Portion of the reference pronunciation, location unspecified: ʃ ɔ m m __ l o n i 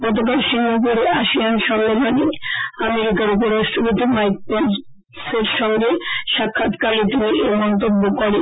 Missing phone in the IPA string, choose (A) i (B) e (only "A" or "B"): B